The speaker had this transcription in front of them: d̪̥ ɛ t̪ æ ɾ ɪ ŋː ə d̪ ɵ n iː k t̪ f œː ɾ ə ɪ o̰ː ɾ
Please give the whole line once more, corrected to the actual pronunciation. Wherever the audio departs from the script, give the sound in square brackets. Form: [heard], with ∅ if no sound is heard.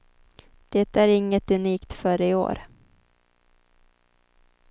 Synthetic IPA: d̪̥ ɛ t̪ æ ɾ ɪ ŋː ə [t̪] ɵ n iː k t̪ f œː ɾ ə ɪ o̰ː ɾ